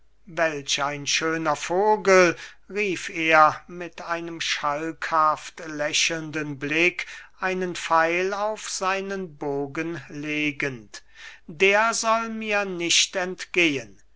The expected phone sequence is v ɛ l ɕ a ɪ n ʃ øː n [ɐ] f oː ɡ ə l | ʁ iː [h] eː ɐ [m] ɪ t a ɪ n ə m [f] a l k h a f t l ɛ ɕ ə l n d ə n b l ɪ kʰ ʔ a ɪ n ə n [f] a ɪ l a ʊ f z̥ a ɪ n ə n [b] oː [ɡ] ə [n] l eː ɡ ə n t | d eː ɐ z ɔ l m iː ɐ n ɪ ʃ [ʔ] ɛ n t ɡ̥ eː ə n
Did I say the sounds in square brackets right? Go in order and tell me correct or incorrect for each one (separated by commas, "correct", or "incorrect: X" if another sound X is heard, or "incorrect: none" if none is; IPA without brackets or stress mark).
correct, incorrect: f, correct, incorrect: ʃ, correct, correct, correct, correct, incorrect: t